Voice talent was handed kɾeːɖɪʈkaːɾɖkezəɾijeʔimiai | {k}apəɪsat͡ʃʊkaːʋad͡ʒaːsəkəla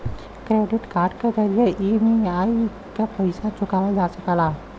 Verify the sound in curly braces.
correct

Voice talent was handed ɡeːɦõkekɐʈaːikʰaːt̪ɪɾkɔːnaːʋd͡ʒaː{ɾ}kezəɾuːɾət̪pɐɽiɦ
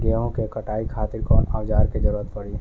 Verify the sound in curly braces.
correct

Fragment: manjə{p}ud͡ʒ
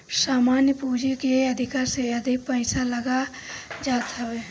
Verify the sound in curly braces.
correct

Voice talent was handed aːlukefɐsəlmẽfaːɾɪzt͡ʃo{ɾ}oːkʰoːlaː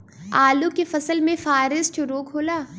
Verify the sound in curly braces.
correct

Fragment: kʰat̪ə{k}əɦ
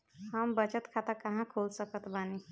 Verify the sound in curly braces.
correct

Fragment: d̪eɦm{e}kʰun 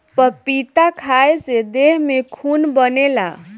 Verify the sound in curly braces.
correct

